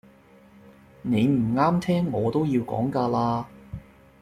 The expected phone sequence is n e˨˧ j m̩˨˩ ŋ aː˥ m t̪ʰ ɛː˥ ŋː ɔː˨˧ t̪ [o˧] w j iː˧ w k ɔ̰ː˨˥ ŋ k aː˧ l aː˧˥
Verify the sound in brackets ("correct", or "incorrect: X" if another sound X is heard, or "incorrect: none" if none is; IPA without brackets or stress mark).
incorrect: o˥